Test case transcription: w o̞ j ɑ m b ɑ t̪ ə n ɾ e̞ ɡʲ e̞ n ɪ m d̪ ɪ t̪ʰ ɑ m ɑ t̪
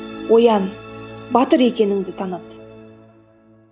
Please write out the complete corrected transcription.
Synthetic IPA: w o̞ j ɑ n b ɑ t̪ ə ɾ e̞ kʲ e̞ n ɪ ŋ d̪ ɪ t̪ʰ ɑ n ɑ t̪

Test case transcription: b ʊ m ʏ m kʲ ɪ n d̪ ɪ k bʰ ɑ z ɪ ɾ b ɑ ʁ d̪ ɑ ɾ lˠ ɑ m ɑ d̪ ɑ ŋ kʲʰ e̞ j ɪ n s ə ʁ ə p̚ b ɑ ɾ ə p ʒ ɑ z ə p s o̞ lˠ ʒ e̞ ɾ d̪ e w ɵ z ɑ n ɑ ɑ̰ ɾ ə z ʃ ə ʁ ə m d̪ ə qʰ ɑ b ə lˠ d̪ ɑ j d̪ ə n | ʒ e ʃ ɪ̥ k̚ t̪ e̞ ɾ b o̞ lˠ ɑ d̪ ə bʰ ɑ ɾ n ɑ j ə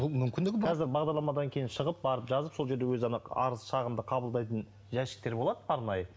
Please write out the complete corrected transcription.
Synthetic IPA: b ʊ m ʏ m kʲ ɪ n d̪ ɪ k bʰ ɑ z ɪ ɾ b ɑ ʁ d̪ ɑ ɾ lˠ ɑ m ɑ d̪ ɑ ŋ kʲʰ e̞ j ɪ n ʃ ə ʁ ə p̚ b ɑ ɾ ə p ʒ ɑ z ə p s o̞ lˠ ʒ e̞ ɾ d̪ e w ɵ z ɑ n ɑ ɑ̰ ɾ ə z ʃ ɑ ʁ ə m d̪ ə qʰ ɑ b ə lˠ d̪ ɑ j t̪ ə n | ʒ æ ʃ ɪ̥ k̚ t̪ e̞ ɾ b o̞ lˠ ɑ d̪ ə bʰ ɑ ɾ n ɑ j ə

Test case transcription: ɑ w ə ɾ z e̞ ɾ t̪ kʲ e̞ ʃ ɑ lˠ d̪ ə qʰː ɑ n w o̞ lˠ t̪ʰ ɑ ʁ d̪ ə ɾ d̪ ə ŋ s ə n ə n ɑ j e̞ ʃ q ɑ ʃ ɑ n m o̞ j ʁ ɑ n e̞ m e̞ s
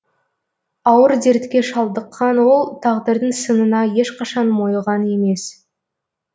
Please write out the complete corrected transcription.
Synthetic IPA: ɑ w ə ɾ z e̞ ɾ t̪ kʲ e̞ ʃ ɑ lˠ d̪ ə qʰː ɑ n w o̞ lˠ t̪ʰ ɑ ʁ d̪ ə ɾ d̪ ə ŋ s ə n ə n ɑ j e̞ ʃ q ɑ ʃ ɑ n m o̞ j ʁ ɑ n e̞ m e̞ s

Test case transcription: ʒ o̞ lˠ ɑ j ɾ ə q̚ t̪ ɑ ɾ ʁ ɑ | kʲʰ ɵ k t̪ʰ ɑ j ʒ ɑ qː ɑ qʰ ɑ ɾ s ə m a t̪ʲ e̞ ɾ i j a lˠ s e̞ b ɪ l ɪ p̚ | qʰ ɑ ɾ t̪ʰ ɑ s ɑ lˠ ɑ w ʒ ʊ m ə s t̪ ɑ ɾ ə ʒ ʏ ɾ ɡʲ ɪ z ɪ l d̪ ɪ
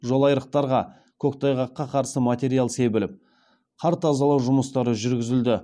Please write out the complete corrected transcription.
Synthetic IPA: ʒ o̞ lˠ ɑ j ɾ ə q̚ t̪ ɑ ɾ ʁ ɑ | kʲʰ ɵ k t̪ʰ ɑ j ʁ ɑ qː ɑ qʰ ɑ ɾ s ə m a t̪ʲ e̞ ɾ i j a lˠ s e̞ b ɪ l ɪ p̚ | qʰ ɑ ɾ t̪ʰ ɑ z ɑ lˠ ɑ w ʒ ʊ m ə s t̪ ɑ ɾ ə ʒ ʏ ɾ ɡʲ ɪ z ɪ l d̪ ɪ

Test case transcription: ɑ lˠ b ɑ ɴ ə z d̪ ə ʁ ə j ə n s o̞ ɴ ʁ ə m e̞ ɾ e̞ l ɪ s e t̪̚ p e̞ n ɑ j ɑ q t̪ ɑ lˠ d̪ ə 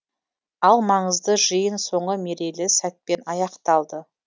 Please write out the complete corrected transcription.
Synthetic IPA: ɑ lˠ m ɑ ɴ ə z d̪ ə ʒ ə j ə n s o̞ ɴ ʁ ə m e̞ ɾ e̞ l ɪ s æ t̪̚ p e̞ n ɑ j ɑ q t̪ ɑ lˠ d̪ ə

